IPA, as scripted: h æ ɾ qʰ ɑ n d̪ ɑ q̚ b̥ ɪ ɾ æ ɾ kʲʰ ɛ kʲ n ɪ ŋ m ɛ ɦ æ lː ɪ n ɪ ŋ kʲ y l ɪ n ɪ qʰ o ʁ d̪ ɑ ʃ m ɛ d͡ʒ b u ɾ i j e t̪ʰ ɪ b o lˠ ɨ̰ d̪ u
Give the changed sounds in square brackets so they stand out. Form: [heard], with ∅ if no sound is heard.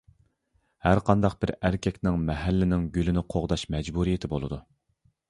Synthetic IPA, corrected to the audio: h æ ɾ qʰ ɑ n d̪ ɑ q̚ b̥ ɪ ɾ æ ɾ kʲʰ ɛ kʲ n ɪ ŋ m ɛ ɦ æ lː ɪ n ɪ ŋ [ɡʲ] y l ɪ n ɪ qʰ o ʁ d̪ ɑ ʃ m ɛ d͡ʒ b u ɾ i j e t̪ʰ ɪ b o lˠ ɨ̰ d̪ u